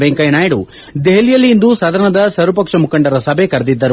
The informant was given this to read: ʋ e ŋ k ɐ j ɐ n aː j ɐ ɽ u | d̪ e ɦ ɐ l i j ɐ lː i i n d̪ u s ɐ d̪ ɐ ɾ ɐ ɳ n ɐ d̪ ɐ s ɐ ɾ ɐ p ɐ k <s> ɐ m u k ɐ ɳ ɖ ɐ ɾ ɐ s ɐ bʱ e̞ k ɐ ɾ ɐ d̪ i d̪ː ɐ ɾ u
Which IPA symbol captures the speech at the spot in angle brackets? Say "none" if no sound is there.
ʂ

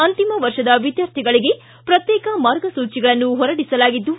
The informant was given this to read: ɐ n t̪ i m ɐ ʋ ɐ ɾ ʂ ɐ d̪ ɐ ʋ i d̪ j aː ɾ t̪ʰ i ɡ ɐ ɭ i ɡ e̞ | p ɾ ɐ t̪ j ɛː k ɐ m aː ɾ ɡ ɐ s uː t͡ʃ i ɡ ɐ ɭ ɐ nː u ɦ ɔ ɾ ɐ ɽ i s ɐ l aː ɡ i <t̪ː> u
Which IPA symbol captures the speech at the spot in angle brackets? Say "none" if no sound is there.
d̪ː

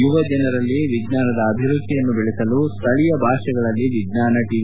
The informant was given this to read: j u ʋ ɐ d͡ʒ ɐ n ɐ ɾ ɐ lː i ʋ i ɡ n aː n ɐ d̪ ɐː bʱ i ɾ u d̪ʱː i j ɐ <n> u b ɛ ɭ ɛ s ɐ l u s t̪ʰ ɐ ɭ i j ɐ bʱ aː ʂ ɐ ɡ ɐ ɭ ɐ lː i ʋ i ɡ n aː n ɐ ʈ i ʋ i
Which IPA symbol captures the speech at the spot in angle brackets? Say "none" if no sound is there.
nː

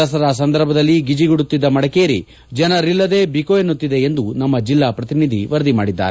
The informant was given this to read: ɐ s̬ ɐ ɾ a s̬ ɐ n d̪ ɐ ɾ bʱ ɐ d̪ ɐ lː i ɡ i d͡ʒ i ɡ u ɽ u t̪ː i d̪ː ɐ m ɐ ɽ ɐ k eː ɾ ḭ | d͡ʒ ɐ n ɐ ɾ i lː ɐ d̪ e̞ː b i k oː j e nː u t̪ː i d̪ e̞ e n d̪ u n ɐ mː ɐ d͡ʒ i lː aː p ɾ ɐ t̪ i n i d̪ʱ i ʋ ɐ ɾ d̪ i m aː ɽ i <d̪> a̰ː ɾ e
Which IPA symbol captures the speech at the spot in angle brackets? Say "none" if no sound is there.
d̪ː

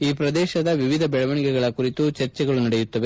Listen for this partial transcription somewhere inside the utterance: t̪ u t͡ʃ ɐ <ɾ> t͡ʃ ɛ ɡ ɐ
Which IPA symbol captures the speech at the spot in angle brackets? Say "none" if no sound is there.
ɾ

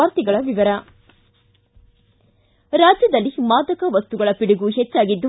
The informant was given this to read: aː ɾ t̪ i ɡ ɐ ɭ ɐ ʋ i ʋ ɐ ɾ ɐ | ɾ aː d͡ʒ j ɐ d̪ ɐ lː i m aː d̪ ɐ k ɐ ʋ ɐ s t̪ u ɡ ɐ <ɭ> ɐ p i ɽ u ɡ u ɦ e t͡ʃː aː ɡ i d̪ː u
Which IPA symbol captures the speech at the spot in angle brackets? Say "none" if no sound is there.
ɭ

